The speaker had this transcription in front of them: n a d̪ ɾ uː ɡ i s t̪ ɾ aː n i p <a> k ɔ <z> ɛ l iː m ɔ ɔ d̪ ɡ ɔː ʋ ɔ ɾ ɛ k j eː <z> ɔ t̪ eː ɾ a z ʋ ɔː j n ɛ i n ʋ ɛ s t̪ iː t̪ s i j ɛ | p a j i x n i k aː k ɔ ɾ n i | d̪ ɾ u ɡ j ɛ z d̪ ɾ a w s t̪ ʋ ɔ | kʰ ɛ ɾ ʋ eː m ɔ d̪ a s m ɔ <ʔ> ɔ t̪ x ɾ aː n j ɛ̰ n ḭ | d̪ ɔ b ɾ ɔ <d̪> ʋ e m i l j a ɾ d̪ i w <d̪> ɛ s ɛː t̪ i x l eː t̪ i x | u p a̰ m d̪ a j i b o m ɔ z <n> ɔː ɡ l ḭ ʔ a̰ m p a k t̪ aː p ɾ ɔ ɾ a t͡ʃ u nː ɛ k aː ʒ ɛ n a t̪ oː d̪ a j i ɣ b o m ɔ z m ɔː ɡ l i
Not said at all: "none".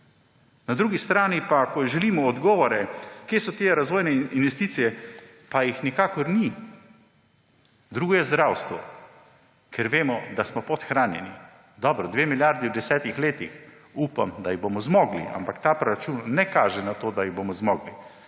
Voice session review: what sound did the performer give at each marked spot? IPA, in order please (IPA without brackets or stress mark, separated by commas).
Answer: a, ʒ, s, p, d̪, d̪, m